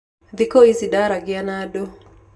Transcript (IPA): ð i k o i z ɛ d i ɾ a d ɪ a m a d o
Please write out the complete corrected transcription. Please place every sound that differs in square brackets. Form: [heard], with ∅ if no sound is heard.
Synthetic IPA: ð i k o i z [i] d [a] ɾ a [ɡ] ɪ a [n] a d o